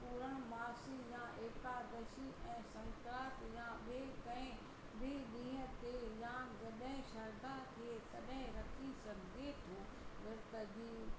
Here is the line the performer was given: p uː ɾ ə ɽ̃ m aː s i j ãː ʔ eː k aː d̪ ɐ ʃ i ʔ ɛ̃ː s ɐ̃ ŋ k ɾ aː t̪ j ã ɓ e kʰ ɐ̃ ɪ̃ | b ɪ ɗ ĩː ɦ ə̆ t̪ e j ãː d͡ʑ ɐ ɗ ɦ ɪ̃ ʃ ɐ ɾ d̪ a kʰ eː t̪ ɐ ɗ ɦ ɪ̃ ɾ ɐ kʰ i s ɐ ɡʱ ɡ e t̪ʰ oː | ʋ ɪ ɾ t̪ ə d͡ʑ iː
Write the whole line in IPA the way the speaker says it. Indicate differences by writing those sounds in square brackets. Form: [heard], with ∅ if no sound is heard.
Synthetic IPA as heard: p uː ɾ ə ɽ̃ m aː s i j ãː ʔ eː k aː d̪ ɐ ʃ i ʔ ɛ̃ː s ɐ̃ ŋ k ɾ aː t̪ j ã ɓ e [k] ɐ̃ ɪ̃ | b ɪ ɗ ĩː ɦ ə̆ t̪ e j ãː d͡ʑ ɐ ɗ ɦ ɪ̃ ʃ ɐ ɾ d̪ a kʰ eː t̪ ɐ ɗ ɦ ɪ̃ ɾ ɐ kʰ i s ɐ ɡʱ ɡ e t̪ʰ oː | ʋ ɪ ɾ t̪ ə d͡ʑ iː